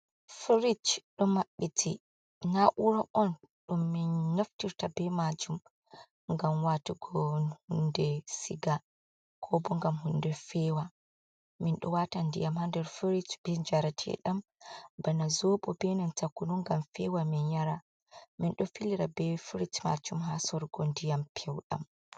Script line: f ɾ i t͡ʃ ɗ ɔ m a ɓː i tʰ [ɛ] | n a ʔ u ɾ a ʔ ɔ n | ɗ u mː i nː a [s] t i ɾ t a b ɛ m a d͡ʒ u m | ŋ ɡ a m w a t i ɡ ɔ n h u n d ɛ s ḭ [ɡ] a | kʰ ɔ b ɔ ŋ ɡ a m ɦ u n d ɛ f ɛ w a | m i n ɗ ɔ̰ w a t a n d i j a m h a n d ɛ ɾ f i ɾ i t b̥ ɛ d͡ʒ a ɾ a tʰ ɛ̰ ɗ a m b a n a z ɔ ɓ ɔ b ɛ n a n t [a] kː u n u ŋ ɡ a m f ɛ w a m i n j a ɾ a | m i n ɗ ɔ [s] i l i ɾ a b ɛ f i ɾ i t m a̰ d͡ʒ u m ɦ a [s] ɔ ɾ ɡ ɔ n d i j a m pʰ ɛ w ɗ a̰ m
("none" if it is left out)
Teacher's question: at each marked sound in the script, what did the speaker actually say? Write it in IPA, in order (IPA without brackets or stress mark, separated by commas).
i, f, ɡ, a, f, s